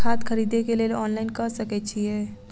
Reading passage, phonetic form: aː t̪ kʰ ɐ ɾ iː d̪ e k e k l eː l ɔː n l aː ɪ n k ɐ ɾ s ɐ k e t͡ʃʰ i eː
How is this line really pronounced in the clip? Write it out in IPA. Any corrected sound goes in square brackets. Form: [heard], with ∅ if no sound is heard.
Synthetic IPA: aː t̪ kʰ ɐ ɾ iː d̪ e k e [∅] l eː l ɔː n l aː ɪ n k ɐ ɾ s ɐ k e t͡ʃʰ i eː